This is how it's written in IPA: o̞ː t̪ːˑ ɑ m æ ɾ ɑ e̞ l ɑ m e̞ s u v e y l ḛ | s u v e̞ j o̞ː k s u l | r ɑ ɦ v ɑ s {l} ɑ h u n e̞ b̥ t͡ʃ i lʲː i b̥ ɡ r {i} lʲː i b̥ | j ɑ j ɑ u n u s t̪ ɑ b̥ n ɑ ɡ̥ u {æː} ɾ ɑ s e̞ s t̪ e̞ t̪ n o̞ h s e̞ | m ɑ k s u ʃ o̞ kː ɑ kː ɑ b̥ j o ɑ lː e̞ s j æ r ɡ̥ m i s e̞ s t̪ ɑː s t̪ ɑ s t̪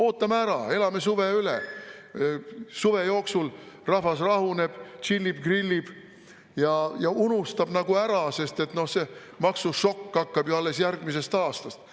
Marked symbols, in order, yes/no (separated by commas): no, yes, no